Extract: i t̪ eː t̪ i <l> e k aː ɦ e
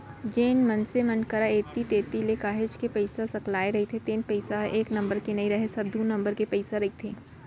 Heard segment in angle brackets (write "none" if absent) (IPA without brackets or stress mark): l